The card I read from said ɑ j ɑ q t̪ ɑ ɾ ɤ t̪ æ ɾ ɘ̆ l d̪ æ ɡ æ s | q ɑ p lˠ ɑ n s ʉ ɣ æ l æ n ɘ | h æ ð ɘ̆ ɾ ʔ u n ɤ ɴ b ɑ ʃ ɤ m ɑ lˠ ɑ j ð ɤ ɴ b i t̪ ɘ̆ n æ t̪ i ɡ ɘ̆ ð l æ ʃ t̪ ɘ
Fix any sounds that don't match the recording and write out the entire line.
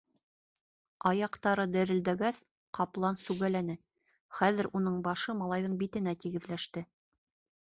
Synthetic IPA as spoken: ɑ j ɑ q t̪ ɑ ɾ ɤ d̪ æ ɾ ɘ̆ l d̪ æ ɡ æ s | q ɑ p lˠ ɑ n s ʉ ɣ æ l æ n ɘ | χ æ ð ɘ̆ ɾ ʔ u n ɤ ɴ b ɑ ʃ ɤ m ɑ lˠ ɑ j ð ɤ ɴ b i t̪ ɘ̆ n æ t̪ i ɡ ɘ̆ ð l æ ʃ t̪ ɘ